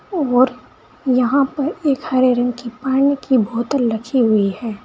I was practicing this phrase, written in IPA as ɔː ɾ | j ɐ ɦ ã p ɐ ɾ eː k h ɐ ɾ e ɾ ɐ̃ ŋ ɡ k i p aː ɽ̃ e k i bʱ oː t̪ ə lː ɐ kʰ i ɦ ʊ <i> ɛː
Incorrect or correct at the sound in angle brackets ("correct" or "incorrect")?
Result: correct